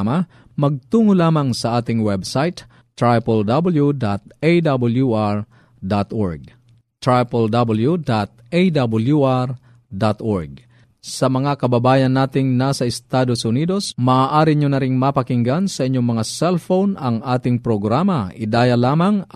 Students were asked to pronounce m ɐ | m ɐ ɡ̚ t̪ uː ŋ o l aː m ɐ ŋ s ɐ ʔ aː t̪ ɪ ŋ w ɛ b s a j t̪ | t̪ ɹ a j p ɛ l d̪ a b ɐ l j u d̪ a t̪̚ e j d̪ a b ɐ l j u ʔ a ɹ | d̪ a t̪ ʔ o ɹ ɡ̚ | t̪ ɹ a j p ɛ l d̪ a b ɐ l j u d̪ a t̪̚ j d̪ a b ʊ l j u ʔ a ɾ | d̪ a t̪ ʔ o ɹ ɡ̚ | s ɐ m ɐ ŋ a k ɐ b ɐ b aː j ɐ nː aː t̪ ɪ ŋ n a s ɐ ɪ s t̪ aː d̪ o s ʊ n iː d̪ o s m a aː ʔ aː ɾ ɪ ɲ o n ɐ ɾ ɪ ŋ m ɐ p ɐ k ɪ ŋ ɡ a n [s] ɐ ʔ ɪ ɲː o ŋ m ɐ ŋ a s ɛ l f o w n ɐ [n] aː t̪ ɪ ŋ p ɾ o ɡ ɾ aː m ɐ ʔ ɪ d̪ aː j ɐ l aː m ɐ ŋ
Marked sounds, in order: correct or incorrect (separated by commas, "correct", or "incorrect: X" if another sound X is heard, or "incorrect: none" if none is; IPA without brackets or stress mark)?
correct, incorrect: ŋ